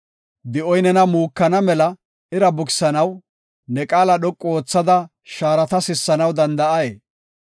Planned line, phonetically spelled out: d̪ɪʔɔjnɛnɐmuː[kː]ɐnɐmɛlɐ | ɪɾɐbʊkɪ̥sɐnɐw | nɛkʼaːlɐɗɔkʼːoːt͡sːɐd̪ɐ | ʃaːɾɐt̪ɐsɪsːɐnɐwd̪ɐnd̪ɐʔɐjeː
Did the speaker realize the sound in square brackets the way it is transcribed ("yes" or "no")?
yes